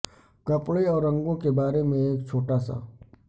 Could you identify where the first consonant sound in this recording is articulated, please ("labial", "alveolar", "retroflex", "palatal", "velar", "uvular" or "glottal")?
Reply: velar